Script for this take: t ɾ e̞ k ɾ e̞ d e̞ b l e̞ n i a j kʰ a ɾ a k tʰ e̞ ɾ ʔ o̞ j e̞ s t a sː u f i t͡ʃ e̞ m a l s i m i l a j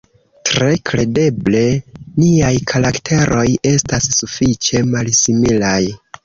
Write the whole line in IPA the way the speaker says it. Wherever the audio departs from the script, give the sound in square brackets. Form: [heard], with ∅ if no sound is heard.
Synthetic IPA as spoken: t ɾ e̞ k ɾ e̞ d e̞ b l e̞ n i a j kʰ a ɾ a k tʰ e̞ ɾ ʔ o̞ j e̞ s t a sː u f i t͡ʃ e̞ m a l s i m i l a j